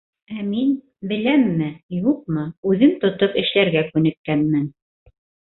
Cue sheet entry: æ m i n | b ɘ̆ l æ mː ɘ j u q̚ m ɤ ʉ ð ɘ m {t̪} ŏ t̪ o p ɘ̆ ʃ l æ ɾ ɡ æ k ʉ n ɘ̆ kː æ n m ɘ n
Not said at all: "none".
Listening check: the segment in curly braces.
t̪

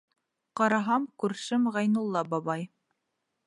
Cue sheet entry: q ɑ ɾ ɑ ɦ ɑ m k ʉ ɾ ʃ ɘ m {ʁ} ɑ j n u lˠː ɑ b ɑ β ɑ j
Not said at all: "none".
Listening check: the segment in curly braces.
ʁ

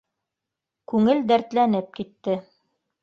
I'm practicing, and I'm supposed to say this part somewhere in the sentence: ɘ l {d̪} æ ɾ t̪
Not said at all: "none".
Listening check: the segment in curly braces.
d̪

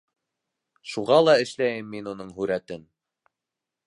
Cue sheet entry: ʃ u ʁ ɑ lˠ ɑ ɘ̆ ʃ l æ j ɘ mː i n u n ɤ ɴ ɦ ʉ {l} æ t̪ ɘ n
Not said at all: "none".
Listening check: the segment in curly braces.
ɾ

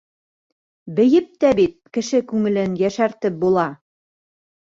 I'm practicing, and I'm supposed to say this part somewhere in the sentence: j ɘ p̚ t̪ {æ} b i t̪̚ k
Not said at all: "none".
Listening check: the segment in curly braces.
æ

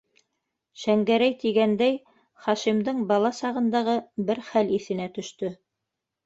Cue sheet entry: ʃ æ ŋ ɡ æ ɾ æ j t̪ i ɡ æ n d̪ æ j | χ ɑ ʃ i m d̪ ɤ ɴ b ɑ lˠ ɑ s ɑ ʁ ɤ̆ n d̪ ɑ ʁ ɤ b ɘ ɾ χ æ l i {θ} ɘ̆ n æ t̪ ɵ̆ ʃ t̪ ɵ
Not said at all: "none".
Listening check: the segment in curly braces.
θ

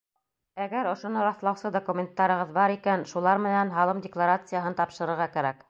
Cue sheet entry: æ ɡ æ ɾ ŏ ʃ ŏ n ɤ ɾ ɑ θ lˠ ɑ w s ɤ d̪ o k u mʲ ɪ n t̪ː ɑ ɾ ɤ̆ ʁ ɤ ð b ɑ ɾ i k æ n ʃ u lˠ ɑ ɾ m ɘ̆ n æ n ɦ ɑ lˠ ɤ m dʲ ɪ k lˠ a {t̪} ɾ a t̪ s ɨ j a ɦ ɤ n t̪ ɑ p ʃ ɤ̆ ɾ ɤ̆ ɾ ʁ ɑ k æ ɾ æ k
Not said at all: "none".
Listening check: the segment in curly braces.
none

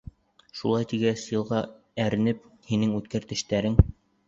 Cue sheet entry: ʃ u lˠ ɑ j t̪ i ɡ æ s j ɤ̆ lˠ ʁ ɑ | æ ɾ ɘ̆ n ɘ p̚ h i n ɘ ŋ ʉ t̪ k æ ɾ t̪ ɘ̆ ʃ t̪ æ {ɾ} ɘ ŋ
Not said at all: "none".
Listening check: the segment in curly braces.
ɾ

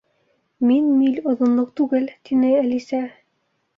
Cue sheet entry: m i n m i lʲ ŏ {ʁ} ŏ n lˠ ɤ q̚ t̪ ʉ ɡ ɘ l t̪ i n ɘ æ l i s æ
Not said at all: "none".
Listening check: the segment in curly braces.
ð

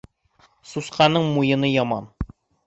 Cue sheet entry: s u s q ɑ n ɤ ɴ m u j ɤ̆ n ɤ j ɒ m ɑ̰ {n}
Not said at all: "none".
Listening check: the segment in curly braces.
n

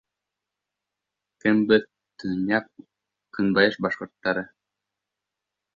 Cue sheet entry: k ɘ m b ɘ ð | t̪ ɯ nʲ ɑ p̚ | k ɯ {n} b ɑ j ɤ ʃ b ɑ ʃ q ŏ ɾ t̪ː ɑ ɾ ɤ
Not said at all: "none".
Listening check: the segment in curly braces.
n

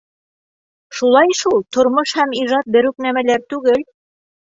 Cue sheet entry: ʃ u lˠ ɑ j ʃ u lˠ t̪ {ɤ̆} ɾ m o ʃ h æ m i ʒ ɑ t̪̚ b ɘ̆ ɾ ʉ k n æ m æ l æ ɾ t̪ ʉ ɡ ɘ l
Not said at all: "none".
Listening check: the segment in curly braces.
ŏ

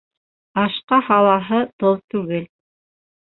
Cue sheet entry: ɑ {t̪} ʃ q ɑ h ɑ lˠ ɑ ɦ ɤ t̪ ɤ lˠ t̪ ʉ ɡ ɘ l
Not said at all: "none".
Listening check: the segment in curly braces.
none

